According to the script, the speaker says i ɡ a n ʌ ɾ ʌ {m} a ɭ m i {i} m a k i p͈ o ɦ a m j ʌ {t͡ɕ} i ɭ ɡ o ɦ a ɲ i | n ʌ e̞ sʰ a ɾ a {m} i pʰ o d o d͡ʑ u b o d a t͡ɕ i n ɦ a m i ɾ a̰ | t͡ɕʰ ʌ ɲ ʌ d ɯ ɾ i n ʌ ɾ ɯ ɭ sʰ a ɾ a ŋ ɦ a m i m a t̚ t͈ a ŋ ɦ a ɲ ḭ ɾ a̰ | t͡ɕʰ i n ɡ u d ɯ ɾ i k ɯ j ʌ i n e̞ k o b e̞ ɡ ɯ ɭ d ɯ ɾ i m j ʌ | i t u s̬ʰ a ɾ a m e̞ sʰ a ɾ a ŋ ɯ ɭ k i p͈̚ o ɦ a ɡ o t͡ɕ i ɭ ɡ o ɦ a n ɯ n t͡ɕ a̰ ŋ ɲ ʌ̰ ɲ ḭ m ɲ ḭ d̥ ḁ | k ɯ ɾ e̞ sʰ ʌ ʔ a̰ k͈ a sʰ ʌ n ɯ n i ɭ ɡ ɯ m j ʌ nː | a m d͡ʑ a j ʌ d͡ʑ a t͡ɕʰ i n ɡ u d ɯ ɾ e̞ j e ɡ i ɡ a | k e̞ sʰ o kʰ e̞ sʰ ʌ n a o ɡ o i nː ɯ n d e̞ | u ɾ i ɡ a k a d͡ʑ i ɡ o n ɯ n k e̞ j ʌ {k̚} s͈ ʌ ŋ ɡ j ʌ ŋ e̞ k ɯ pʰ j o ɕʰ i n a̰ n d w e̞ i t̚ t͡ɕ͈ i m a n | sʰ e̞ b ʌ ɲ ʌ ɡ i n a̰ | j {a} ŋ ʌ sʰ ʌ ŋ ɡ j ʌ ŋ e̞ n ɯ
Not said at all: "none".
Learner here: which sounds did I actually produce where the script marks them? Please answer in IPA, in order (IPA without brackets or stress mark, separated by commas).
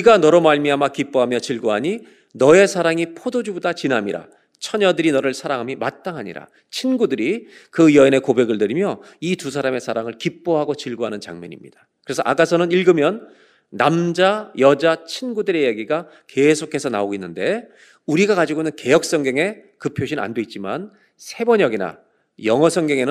m, a, t͡ɕ, ŋ, k̚, ʌ